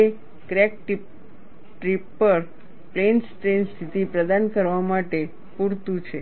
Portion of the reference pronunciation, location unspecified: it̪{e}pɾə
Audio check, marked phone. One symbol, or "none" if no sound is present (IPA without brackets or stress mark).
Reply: i